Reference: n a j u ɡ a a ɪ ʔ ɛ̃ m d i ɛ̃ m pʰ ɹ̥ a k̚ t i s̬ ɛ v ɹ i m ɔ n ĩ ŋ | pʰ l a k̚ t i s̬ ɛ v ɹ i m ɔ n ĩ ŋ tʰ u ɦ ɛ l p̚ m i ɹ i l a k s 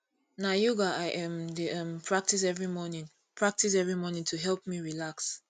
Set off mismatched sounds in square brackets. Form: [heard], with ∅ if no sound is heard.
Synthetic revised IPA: n a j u ɡ a a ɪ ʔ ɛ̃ m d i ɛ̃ m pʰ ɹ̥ a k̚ t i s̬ ɛ v ɹ i m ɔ n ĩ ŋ | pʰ [ɹ] a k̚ t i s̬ ɛ v ɹ i m ɔ n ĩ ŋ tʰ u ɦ ɛ l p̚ m i ɹ i l a k s